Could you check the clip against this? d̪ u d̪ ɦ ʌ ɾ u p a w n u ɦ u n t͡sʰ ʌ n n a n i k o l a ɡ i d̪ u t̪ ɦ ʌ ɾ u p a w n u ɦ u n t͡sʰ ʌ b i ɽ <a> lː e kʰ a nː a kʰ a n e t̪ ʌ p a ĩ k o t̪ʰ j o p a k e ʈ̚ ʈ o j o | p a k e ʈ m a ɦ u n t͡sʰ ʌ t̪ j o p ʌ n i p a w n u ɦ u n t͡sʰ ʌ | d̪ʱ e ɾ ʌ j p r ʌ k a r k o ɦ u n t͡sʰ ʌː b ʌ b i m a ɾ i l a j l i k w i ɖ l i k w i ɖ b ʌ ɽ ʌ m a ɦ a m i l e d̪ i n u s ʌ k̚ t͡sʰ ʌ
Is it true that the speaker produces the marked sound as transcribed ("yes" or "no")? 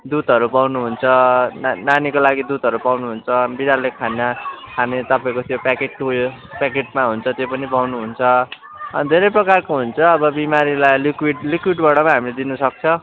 yes